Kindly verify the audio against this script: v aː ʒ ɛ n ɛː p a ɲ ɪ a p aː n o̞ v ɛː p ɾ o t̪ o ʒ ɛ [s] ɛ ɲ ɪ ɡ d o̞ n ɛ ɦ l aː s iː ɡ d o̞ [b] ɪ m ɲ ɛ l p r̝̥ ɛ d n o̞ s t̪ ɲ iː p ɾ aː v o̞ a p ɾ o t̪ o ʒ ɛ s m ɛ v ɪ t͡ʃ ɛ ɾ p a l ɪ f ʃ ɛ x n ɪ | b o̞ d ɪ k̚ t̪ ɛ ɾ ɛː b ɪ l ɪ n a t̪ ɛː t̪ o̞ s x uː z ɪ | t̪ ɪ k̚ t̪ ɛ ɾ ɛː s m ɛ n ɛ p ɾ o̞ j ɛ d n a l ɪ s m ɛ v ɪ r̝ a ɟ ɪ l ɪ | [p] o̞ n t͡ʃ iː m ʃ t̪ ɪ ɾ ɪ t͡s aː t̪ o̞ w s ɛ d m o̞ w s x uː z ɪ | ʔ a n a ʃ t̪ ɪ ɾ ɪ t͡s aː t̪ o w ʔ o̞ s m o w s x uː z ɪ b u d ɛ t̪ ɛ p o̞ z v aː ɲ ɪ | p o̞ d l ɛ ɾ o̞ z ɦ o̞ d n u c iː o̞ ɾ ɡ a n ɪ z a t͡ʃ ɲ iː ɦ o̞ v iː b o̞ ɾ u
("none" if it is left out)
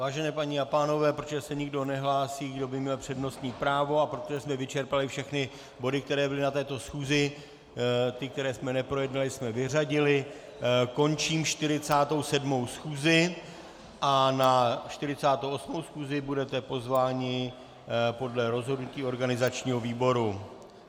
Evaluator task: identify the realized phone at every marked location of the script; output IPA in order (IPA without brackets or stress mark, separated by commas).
s, b, k